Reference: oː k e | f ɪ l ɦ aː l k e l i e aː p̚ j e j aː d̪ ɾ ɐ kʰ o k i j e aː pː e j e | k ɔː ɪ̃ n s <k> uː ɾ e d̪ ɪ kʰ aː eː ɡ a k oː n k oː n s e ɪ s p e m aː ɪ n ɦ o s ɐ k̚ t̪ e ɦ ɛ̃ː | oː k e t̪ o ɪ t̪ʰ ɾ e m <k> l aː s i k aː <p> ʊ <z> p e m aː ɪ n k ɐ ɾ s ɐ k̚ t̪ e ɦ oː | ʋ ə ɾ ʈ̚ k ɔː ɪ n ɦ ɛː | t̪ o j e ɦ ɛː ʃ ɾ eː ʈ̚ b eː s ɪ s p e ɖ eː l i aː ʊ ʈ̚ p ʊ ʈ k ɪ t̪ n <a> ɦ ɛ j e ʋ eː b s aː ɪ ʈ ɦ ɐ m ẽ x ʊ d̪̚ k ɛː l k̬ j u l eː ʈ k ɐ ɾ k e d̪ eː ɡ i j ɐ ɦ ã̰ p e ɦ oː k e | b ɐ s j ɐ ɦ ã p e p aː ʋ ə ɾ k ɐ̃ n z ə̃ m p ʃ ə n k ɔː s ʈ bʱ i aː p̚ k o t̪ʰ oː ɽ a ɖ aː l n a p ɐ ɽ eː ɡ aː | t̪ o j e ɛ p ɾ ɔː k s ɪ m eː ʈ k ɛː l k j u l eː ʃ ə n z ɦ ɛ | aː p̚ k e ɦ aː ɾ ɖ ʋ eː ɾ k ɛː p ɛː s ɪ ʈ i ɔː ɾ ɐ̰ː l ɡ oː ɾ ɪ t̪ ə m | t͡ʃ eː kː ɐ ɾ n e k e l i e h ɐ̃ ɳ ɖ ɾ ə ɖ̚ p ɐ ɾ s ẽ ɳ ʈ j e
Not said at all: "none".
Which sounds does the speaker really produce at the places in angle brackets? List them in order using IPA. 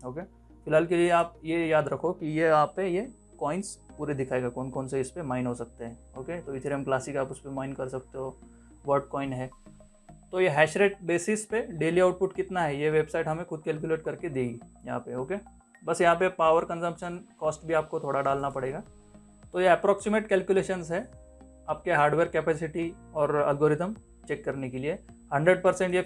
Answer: p, k, p, s, a

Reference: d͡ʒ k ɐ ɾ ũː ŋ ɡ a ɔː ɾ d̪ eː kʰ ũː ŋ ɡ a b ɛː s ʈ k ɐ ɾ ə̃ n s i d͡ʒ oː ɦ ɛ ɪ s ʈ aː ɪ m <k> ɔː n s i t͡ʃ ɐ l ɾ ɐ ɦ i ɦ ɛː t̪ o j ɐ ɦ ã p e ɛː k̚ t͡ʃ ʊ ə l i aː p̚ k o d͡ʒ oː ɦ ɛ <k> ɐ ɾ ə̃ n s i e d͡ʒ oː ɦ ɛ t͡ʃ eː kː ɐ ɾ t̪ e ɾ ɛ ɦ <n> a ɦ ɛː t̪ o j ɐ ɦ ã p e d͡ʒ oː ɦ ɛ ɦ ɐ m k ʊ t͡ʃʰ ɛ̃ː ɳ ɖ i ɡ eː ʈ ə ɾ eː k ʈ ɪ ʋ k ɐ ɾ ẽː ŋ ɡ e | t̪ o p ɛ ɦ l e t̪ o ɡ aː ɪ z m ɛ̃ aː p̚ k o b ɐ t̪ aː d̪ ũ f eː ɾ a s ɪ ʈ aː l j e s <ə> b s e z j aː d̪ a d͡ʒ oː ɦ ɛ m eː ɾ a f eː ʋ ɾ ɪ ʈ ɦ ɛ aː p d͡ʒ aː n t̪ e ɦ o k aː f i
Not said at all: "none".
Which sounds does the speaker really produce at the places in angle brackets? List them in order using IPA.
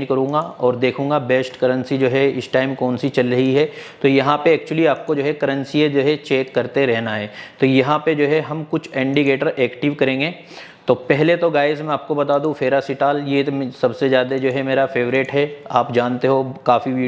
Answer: k, k, n, ɐ

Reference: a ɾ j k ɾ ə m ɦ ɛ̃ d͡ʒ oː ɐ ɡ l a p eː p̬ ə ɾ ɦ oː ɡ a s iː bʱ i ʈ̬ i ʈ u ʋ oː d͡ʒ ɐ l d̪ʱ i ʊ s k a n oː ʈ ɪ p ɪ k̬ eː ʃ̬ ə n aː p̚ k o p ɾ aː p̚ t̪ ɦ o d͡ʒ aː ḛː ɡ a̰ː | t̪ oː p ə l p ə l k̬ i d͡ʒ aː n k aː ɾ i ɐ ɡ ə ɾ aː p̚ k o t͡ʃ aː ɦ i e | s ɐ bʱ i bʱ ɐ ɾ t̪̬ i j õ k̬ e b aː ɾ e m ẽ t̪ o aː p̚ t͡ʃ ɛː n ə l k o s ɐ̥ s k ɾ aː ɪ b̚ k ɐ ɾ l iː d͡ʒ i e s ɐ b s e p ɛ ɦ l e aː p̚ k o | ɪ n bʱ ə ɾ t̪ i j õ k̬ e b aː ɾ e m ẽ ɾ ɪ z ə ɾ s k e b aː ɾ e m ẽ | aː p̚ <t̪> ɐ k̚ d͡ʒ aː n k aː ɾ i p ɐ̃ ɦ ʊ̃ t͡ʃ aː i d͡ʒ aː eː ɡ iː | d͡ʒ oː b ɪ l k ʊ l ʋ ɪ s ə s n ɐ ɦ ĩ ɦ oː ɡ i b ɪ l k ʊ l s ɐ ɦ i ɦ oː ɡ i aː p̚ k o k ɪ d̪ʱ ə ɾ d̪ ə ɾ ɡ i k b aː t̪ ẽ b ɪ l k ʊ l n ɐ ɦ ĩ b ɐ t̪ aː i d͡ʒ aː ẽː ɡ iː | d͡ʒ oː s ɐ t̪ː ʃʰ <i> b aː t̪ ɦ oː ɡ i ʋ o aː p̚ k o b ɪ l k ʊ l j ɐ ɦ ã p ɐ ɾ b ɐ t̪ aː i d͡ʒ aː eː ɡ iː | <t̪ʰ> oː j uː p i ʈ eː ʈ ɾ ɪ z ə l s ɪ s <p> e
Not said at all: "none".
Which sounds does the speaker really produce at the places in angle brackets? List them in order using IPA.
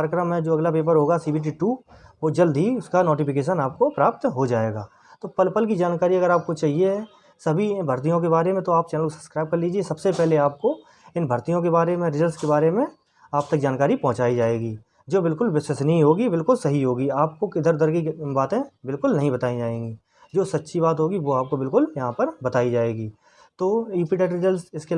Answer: t̪, i, t̪, k

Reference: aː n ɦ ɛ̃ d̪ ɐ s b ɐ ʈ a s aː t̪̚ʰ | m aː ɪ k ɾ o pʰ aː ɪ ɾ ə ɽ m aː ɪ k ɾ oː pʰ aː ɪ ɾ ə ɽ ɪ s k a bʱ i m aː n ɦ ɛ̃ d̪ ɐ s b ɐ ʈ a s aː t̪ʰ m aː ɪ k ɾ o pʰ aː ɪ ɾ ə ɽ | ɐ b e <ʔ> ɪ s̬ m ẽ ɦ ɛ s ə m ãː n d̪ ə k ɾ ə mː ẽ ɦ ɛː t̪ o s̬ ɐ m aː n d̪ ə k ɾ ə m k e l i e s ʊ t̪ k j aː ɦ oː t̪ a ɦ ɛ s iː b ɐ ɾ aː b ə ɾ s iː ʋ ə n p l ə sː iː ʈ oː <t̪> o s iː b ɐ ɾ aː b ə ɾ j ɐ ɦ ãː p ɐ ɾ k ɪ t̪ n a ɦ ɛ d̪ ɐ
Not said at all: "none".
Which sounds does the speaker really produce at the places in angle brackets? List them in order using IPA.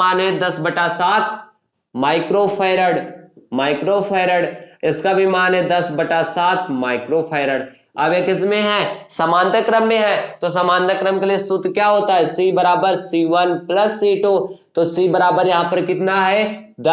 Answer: k, t̪

